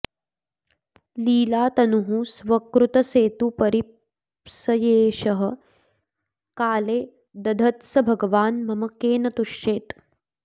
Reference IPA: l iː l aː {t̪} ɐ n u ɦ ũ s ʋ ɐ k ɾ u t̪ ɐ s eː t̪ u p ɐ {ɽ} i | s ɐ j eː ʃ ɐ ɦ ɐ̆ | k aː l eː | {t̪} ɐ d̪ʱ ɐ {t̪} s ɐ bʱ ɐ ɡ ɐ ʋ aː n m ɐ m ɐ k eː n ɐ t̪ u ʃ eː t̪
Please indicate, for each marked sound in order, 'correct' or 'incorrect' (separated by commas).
correct, incorrect, incorrect, correct